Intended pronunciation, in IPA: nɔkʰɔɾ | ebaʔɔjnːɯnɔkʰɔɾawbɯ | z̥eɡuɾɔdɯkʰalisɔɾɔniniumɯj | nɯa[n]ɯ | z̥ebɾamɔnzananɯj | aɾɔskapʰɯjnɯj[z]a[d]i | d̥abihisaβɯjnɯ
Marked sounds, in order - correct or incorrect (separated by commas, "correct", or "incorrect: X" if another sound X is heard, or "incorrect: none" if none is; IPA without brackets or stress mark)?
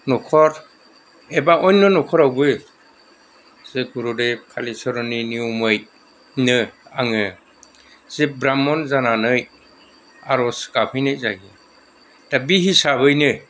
incorrect: ŋ, correct, incorrect: ɡ